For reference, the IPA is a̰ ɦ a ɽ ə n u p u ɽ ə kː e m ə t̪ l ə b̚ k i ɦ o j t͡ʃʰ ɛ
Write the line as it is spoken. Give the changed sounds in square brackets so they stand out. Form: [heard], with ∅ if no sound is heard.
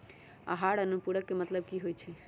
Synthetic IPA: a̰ ɦ a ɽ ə n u p u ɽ ə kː e m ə t̪ l ə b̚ k i ɦ o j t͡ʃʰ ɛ